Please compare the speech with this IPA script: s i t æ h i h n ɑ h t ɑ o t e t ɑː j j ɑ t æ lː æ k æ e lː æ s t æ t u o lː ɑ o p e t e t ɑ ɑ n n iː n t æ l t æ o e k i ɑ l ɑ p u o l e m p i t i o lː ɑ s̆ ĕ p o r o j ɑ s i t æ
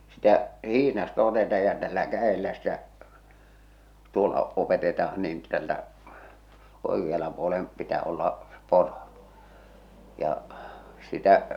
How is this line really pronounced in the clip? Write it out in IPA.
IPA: s i t æ h i h n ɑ s t ɑ o t e t ɑː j j ɑ t æ lː æ k æ e lː æ s t æ t u o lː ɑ o p e t e t ɑ ɑ n n iː n t æ l t æ o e k i ɑ l ɑ p u o l e m p i t æ o lː ɑ s̆ ĕ p o r o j ɑ s i t æ